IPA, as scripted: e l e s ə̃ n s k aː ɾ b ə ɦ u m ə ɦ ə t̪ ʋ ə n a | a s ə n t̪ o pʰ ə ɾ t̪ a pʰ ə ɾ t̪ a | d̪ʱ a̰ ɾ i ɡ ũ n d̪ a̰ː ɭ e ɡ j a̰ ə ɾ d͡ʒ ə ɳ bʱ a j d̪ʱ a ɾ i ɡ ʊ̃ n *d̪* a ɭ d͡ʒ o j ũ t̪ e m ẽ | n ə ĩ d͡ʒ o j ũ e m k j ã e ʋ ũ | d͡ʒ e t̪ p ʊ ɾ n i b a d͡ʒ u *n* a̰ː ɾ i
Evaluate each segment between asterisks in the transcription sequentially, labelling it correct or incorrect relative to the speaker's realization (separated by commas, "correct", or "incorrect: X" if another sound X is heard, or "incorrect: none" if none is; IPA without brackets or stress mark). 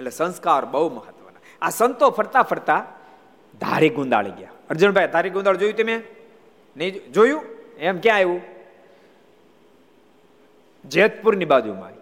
correct, incorrect: m